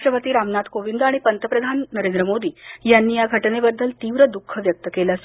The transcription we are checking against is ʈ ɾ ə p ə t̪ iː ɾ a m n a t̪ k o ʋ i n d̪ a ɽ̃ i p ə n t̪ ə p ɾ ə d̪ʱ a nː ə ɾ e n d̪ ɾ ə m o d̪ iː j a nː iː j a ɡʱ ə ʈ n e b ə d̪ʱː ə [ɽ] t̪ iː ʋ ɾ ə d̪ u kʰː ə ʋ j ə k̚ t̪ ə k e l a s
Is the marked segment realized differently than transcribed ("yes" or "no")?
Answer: yes